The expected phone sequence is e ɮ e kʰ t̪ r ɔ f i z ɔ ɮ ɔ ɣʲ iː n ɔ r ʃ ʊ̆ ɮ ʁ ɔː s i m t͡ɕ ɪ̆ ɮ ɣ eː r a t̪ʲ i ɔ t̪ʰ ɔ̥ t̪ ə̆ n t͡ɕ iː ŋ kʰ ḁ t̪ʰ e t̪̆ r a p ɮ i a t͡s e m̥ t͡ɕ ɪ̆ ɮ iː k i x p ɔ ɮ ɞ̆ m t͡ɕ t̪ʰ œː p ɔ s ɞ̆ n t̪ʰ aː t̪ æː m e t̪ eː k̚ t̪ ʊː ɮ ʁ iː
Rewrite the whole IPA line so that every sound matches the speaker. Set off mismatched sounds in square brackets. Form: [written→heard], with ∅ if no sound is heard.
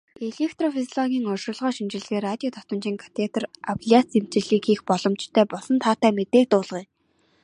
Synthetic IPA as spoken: e ɮ e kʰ t̪ r ɔ f i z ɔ ɮ ɔ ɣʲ iː [n→ŋ] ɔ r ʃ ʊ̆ ɮ ʁ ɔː [s→ʃ] i m t͡ɕ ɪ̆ ɮ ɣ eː r a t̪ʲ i ɔ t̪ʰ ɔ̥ t̪ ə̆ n t͡ɕ iː ŋ kʰ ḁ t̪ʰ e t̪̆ r a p ɮ i a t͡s e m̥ t͡ɕ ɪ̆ ɮ iː k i x p ɔ ɮ ɞ̆ m t͡ɕ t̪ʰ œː p ɔ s ɞ̆ n t̪ʰ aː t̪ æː m e t̪ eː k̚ t̪ ʊː ɮ ʁ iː